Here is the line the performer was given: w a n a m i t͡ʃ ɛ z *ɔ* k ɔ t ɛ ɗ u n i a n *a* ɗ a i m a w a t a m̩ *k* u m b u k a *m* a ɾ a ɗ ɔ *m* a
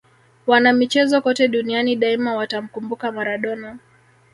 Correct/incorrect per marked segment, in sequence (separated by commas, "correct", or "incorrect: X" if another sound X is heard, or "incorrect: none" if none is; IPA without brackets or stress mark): correct, incorrect: i, correct, correct, incorrect: n